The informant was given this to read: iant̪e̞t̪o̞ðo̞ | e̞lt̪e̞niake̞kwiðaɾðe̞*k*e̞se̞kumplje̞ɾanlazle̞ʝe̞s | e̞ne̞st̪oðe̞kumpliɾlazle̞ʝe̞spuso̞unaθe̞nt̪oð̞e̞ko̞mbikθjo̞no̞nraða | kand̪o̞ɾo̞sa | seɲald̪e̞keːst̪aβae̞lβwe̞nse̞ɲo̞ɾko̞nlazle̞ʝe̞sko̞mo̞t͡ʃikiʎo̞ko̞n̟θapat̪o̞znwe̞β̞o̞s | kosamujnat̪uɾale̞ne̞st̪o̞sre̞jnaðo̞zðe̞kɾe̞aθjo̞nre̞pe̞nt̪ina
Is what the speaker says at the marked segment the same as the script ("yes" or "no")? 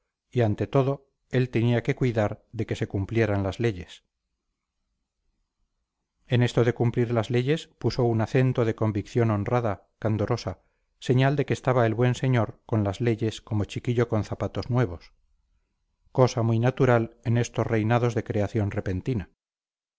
yes